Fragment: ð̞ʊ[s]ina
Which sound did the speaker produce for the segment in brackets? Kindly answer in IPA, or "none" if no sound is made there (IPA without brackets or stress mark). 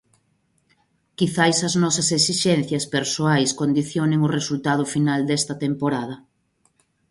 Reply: f